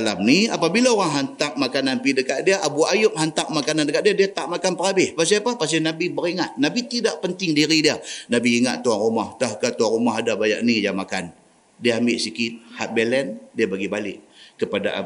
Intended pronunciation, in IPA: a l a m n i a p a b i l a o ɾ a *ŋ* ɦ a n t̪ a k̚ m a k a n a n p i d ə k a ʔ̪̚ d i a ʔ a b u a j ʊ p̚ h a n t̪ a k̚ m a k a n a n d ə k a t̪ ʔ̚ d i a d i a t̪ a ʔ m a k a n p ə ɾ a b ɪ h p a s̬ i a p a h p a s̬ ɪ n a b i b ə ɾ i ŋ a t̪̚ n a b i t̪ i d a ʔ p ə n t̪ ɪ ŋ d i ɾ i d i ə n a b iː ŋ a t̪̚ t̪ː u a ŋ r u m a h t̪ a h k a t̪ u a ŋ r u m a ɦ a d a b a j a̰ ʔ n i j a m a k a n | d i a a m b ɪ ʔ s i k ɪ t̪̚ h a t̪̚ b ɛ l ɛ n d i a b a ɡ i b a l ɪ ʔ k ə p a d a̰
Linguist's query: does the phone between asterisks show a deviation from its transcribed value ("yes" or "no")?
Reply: no